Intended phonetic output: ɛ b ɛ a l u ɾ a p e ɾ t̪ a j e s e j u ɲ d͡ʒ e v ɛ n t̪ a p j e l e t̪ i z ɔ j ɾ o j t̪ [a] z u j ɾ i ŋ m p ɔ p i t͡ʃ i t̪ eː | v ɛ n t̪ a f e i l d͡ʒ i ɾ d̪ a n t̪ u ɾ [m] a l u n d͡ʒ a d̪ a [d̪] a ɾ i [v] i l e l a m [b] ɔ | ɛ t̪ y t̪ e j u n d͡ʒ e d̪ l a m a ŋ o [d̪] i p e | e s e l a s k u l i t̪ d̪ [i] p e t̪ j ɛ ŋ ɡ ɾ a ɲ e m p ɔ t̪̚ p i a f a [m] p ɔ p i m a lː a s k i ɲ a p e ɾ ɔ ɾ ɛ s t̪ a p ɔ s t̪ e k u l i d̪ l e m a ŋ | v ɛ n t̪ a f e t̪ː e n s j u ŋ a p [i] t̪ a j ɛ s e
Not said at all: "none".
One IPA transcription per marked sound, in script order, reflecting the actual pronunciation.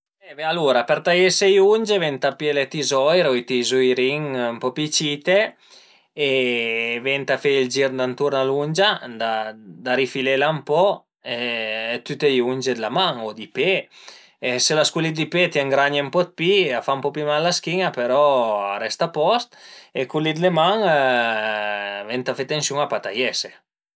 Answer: i, n, d̪, f, p, d̪, i, m, a

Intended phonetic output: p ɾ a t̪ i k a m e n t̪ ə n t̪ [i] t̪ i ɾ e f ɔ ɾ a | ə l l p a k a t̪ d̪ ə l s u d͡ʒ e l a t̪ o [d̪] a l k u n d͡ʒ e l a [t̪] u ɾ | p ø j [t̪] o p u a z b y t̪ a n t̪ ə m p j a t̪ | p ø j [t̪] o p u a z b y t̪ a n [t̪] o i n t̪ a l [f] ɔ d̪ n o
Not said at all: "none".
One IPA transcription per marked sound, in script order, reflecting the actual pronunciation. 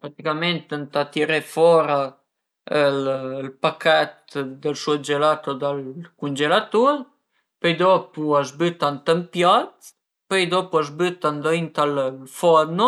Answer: a, d̪, t̪, d̪, d̪, d̪, f

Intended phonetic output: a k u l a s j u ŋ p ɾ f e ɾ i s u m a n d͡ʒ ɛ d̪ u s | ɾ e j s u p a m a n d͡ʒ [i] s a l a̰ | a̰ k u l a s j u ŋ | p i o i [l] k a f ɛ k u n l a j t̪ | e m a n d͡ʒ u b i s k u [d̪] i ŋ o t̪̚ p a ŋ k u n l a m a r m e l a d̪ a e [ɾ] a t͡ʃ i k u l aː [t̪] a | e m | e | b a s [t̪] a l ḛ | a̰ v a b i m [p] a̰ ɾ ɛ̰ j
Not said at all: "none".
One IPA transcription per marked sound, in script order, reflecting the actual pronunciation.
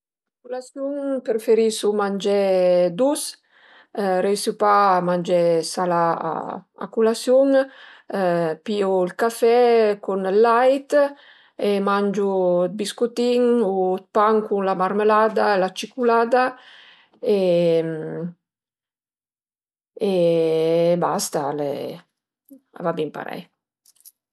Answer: ɛ, l, t̪, l, d̪, t̪, p

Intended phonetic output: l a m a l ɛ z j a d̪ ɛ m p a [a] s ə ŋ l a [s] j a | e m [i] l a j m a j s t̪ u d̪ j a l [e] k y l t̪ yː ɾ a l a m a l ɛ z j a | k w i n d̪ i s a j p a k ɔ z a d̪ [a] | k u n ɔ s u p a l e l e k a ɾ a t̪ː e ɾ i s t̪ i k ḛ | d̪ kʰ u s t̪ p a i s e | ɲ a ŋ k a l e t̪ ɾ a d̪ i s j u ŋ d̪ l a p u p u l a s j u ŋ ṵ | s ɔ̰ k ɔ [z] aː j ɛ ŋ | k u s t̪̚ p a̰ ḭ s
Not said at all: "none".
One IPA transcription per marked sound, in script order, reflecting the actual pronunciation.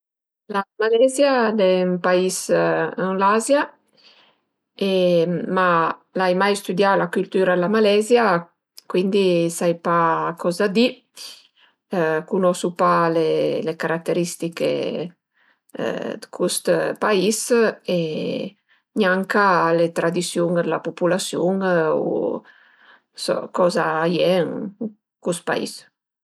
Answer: i, z, a, a, i, z

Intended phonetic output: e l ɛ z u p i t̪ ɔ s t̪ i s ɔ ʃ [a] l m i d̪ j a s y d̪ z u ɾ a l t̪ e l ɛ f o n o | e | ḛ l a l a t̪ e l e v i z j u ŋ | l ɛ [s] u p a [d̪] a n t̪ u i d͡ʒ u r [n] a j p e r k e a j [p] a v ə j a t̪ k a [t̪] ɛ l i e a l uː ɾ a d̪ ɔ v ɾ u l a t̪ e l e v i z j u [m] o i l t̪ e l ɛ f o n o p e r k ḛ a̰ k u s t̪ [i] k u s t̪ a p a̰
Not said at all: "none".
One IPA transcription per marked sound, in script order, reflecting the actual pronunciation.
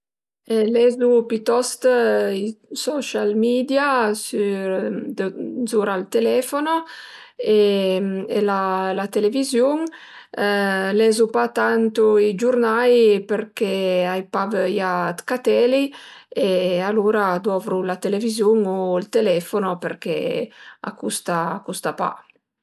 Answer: a, z, t̪, n, p, t̪, ŋ, a

